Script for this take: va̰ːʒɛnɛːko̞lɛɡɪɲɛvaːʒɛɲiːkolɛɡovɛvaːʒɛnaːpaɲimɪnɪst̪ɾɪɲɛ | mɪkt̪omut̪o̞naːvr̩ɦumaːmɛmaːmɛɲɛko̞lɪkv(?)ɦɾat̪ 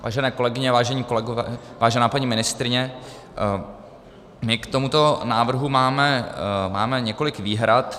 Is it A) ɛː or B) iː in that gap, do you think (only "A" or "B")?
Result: B